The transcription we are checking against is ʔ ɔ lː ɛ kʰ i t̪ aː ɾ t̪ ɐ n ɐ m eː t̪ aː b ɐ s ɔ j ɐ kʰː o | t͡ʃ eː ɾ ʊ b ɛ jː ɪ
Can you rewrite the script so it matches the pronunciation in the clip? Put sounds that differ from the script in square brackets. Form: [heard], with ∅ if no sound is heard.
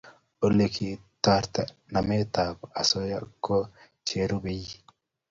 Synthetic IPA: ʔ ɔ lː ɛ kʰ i t̪ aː ɾ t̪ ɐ n ɐ m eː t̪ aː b ɐ s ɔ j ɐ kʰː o | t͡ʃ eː ɾ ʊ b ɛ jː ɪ